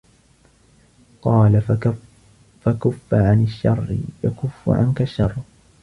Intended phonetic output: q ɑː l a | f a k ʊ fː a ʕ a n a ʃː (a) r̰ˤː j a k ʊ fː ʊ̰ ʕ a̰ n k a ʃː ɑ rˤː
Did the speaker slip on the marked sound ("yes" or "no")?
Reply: yes